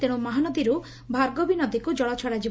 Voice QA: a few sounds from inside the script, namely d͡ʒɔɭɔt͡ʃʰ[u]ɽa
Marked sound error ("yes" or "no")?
yes